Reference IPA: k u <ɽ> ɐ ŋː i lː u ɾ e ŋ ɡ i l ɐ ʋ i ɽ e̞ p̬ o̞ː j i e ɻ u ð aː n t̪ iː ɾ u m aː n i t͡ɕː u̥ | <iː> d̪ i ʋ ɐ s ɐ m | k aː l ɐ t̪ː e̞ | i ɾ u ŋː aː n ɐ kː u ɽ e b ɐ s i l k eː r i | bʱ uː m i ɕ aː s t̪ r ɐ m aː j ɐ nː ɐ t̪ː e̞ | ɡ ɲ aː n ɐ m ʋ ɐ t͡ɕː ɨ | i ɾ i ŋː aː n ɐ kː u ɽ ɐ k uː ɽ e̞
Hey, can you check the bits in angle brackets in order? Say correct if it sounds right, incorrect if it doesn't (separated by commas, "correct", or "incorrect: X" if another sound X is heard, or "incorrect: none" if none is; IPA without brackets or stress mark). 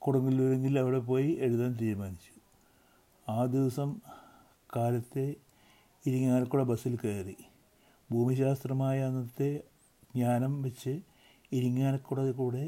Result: correct, incorrect: aː